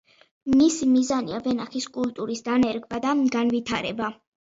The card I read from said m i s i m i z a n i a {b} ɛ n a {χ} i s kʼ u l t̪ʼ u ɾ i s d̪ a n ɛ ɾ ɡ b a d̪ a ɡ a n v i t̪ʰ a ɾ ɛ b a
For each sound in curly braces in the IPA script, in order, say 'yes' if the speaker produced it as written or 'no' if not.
no, yes

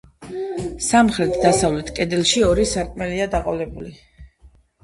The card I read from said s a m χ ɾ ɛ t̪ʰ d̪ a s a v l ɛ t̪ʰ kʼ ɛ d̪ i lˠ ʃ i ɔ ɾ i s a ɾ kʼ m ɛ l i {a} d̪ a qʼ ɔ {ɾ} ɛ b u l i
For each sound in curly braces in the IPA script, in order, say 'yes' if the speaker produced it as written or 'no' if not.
yes, no

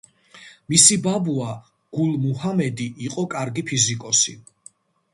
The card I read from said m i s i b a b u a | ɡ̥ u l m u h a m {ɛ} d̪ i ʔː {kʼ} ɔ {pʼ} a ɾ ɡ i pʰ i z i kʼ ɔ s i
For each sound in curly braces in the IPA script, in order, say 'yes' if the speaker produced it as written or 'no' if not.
yes, no, no

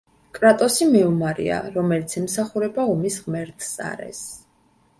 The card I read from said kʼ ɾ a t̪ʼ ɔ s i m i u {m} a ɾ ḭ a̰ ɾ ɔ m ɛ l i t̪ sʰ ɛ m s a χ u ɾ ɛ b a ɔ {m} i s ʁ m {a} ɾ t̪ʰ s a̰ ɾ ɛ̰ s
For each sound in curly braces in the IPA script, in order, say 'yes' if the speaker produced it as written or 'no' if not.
yes, yes, no

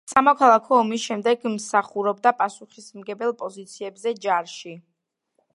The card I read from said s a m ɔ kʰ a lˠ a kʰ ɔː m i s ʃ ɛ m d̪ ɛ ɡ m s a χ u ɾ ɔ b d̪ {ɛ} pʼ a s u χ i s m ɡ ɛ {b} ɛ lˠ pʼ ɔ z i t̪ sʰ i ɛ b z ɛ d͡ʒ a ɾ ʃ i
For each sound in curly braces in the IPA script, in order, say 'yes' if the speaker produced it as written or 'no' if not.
no, yes

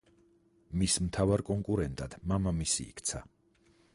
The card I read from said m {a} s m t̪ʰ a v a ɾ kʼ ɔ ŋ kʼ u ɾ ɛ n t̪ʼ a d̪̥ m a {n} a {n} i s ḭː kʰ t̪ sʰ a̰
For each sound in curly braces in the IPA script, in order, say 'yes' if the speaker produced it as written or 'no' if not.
no, no, no

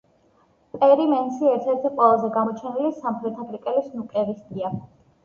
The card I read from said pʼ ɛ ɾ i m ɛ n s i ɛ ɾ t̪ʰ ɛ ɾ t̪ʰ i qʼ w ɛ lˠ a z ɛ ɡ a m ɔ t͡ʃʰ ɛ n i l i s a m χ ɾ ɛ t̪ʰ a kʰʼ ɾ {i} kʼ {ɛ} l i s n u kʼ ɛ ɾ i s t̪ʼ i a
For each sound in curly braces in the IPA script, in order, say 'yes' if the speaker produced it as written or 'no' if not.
yes, yes

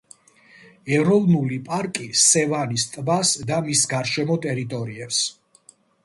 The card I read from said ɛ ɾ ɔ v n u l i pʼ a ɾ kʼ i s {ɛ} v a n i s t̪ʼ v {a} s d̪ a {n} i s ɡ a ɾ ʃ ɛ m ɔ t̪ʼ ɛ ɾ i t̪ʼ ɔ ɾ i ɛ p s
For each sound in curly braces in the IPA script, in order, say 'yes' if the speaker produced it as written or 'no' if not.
yes, yes, no

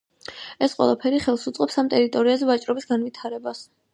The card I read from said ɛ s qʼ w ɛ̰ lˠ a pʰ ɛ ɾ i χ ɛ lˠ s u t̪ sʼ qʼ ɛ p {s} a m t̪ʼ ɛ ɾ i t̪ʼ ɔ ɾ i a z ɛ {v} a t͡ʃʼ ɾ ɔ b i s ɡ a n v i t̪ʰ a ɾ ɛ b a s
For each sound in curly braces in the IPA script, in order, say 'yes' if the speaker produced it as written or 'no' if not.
yes, yes

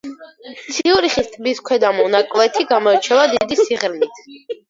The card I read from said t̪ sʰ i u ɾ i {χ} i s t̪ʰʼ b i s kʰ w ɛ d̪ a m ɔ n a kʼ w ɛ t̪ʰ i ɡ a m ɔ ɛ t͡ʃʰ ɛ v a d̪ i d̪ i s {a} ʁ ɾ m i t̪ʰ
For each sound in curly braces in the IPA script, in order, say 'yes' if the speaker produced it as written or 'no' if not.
yes, no

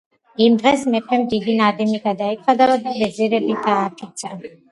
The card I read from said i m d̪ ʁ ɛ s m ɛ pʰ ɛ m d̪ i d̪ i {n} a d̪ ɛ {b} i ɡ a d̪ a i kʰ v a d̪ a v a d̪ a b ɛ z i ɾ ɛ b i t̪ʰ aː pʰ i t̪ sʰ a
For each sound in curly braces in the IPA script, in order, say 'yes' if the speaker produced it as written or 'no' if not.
yes, no

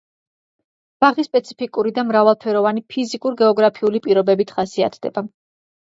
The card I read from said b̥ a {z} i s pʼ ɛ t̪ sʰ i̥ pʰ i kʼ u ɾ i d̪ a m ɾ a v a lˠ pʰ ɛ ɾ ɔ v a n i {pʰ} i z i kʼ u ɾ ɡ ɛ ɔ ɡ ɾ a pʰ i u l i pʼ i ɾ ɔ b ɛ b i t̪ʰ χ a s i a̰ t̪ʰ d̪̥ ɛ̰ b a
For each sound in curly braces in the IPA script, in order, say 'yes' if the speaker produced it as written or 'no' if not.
no, yes

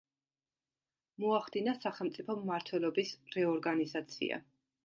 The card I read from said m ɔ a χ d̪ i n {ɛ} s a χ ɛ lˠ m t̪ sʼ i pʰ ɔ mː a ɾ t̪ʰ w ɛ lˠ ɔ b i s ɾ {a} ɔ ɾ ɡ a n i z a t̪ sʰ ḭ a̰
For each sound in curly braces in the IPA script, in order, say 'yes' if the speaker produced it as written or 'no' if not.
no, no

